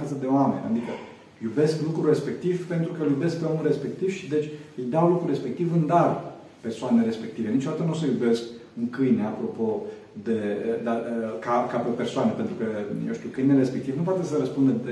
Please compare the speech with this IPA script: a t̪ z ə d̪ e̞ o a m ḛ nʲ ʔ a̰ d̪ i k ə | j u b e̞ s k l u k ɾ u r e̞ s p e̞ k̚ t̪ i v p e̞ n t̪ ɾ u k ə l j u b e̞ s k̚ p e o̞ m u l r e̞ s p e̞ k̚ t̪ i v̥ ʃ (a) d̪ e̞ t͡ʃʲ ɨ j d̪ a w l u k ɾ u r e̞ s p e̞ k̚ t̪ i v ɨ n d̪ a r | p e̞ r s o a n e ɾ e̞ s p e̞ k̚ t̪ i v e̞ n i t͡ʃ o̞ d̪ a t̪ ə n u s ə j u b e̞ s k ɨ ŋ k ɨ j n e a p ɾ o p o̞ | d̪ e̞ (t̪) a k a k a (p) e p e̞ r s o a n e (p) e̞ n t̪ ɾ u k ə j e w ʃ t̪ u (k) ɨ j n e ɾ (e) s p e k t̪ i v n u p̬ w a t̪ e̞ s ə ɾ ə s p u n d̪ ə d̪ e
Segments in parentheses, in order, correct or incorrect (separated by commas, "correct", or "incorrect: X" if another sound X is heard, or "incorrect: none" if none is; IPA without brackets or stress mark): incorrect: i, incorrect: d̪, correct, correct, correct, correct